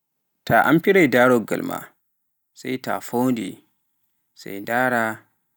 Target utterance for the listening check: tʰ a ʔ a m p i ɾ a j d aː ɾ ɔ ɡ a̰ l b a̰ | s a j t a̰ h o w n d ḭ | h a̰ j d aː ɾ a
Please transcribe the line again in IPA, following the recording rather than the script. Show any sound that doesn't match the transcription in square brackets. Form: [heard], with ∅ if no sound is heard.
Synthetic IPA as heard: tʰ a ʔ a m p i ɾ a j d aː ɾ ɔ ɡ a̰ l [m] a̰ | s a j t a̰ [f] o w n d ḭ | [s] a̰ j d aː ɾ a